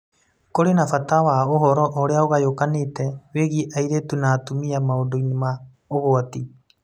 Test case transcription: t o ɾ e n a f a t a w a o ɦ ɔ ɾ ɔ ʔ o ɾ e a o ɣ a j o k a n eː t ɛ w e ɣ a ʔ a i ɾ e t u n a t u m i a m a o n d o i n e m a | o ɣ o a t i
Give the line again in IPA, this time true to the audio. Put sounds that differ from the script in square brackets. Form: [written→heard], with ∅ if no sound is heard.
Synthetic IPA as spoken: [t→k] o ɾ e n a f a t a w a o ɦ ɔ ɾ ɔ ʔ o ɾ e a o ɣ a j o k a n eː t ɛ w e ɣ [a→i] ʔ a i ɾ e t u n a t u m i a m a o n d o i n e m a | o ɣ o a t i